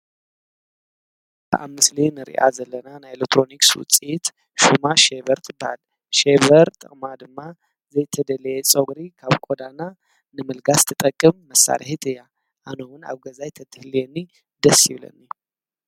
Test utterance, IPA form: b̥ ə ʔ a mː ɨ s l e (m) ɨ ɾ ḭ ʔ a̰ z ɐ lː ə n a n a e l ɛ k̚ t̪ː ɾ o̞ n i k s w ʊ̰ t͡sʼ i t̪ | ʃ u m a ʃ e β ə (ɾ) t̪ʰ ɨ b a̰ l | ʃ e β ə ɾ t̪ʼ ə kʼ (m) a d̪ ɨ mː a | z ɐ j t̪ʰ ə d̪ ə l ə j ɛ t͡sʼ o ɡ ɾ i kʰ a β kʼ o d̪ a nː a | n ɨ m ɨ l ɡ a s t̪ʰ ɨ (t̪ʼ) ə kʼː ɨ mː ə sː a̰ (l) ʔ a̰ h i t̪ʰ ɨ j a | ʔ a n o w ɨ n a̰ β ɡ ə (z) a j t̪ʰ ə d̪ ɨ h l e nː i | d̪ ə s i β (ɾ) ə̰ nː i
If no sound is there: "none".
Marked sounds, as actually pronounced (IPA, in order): n, ɾ, m, t̪ʼ, ɾ, z, l

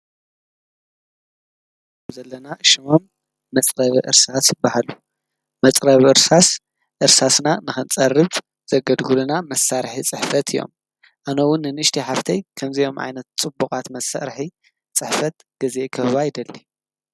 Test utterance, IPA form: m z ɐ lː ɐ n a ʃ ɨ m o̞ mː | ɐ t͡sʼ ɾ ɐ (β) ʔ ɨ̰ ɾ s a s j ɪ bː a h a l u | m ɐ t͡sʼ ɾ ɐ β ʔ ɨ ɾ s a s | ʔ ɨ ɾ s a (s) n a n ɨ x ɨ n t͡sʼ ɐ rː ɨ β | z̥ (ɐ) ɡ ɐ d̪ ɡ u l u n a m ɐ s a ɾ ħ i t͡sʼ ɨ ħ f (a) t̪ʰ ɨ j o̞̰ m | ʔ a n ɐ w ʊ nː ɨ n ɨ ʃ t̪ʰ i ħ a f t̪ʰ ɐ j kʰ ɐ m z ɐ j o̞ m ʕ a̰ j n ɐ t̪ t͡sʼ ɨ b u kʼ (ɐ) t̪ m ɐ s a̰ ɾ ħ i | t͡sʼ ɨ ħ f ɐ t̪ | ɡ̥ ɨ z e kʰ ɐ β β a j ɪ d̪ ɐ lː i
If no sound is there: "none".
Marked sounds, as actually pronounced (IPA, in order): β, s, ɐ, ɐ, a

